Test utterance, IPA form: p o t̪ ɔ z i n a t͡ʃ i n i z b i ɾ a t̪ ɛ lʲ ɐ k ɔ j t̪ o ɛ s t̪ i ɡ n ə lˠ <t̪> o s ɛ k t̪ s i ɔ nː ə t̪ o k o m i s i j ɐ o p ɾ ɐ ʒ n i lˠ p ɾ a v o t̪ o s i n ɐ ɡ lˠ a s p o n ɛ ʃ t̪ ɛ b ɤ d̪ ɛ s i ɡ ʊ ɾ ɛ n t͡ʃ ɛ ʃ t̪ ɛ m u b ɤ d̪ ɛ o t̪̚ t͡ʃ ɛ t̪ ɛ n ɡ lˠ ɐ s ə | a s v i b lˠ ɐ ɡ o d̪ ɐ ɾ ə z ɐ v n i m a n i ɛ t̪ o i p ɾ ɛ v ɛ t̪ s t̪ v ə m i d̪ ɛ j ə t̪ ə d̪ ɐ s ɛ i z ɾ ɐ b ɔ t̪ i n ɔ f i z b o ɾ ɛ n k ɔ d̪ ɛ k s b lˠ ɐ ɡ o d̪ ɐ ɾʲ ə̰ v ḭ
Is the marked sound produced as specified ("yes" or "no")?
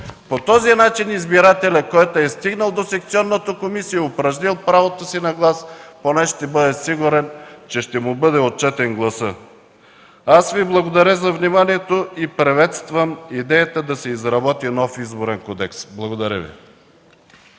no